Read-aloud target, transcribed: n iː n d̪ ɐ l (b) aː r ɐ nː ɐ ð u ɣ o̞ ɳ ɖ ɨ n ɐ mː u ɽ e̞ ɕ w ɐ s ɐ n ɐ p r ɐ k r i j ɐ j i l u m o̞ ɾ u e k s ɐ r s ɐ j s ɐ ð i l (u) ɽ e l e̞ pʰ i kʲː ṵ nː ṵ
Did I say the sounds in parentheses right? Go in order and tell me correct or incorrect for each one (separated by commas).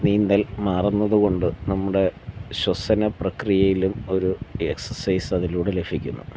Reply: incorrect, incorrect